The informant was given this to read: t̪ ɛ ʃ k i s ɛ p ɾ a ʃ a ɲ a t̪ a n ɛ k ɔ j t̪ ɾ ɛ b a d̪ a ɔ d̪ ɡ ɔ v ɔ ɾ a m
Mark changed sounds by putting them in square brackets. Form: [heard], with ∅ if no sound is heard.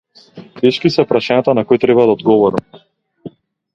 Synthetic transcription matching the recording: t̪ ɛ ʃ k i s ɛ p ɾ a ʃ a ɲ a t̪ a n [a] k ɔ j t̪ ɾ ɛ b a d̪ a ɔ d̪ ɡ ɔ v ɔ ɾ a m

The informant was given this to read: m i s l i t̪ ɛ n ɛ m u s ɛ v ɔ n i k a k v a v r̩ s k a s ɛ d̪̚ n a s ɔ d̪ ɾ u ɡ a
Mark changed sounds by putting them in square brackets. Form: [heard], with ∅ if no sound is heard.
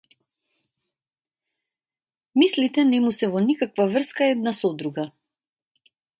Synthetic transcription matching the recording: m i s l i t̪ ɛ n ɛ m u s ɛ v ɔ n i k a k v a v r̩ s k a [∅] ɛ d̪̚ n a s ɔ d̪ ɾ u ɡ a

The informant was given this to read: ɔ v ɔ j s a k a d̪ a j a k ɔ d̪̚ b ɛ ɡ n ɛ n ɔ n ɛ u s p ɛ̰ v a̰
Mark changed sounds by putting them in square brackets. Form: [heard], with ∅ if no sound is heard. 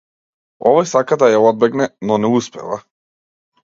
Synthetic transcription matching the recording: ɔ v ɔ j s a k a d̪ a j a [∅] ɔ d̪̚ b ɛ ɡ n ɛ n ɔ n ɛ u s p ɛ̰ v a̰

